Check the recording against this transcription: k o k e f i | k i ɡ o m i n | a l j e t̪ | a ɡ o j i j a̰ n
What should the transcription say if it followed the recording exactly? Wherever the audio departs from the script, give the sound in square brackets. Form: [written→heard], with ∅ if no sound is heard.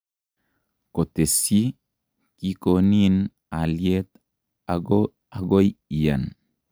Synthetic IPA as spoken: k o [k→t] e [f→s] i | k i [ɡ→k] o [m→n] i n | a l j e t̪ | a ɡ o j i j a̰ n